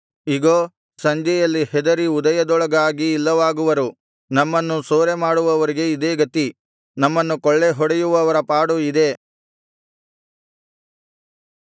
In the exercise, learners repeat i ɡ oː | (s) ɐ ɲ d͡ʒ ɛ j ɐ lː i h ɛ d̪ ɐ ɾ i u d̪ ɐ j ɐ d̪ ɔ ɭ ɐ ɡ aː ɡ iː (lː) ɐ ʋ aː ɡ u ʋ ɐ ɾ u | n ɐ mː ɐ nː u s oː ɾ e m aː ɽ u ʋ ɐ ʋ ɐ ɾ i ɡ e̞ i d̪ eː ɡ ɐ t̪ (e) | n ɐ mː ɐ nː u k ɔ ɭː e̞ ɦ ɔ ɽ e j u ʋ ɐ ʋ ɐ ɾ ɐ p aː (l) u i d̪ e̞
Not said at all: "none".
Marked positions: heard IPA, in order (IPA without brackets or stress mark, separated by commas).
s, lː, i, ɽ